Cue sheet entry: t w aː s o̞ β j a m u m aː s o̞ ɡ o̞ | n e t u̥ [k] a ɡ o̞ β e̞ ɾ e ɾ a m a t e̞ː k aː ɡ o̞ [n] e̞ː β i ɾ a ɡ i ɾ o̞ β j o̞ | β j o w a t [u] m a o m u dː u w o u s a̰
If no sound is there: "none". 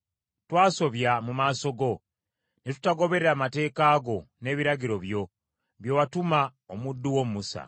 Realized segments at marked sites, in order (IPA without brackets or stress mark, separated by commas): t, n, u